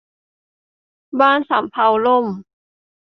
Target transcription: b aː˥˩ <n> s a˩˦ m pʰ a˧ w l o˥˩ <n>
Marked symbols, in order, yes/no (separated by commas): yes, no